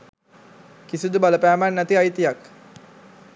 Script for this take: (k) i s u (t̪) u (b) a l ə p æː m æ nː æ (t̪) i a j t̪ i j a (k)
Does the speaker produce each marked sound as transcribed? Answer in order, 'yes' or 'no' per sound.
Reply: yes, no, yes, yes, yes

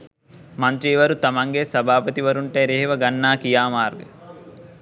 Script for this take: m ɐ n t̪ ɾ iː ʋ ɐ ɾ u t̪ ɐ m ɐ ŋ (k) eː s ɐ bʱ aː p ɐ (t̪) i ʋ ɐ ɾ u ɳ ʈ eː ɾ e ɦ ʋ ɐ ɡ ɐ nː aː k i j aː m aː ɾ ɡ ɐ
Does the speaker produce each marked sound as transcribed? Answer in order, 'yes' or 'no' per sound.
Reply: no, yes

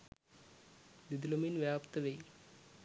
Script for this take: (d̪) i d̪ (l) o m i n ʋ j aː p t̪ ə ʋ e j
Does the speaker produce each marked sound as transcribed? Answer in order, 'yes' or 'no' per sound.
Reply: yes, yes

